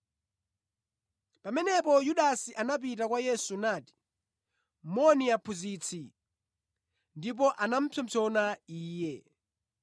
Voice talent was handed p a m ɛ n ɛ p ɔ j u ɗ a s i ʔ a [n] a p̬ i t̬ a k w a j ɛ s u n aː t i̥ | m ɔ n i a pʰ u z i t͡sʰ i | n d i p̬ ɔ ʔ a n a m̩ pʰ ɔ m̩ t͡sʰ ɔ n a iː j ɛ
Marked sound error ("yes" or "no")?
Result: no